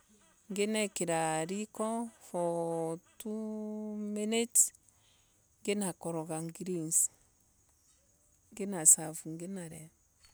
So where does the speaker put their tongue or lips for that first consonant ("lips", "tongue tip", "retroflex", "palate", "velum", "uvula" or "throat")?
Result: velum